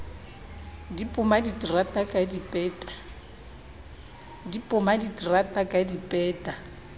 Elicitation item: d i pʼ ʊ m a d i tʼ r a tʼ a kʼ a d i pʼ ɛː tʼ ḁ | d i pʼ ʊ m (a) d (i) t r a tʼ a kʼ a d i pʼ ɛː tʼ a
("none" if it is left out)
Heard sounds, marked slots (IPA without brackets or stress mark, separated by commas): a, i